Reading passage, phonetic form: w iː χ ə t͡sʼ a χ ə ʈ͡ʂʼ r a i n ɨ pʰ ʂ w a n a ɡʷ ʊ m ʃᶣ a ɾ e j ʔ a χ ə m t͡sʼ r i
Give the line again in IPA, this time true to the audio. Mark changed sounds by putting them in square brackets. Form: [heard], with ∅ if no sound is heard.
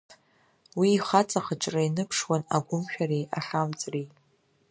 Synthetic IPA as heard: w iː χ [a] t͡sʼ a χ ə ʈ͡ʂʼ r a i n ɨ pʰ ʂ w a n a ɡʷ ʊ m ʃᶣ a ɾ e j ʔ a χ [a] m t͡sʼ r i